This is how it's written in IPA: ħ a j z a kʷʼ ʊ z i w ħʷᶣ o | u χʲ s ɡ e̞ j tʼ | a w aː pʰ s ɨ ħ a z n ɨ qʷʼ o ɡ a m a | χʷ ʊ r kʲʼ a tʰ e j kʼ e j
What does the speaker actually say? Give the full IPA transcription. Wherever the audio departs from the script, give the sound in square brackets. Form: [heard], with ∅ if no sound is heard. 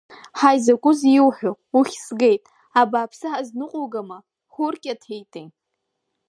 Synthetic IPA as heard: ħ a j z a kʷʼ ʊ z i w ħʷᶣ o | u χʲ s ɡ e̞ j tʼ | a [b] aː pʰ s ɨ ħ a z n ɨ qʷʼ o ɡ a m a | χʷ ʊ r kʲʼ a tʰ e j [tʼ] e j